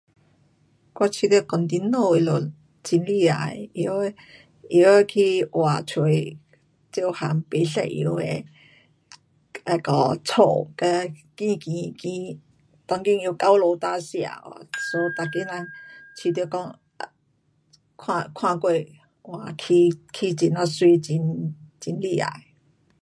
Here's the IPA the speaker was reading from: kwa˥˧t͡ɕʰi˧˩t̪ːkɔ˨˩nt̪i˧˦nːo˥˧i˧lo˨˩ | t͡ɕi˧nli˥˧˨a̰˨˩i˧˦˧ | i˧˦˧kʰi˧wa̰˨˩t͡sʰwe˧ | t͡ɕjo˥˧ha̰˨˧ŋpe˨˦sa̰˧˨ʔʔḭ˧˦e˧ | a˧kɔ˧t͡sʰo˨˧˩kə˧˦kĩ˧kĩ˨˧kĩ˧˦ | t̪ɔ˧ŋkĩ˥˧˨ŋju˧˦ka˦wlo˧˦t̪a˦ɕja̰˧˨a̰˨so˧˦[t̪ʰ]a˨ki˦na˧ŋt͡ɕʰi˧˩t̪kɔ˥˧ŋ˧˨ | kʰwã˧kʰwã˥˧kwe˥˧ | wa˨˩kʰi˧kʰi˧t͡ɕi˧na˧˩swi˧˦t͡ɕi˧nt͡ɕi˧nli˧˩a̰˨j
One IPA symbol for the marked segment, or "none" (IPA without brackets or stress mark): t̪